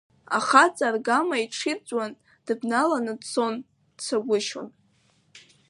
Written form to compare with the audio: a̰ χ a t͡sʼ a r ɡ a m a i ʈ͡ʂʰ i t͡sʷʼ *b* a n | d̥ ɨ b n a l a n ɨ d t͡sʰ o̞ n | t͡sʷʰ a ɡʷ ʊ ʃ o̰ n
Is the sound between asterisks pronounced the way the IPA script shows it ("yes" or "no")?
no